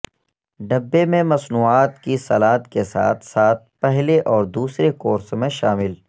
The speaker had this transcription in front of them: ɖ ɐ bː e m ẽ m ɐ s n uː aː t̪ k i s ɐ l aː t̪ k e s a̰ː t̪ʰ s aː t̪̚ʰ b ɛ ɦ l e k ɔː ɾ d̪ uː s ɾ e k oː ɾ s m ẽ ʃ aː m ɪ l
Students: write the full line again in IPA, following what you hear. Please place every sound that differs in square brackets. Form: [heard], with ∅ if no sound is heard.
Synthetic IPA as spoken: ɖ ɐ bː e m ẽ m ɐ s n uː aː t̪ k i s ɐ l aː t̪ k e s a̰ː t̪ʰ s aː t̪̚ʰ [p] ɛ ɦ l e [ʔ] ɔː ɾ d̪ uː s ɾ e k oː ɾ s m ẽ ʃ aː m ɪ l